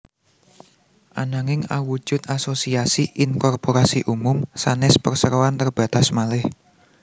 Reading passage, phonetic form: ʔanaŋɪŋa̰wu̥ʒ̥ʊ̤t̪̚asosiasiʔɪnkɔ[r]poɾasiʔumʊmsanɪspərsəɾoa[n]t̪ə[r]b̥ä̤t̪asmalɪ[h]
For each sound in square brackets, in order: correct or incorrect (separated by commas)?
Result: correct, correct, correct, correct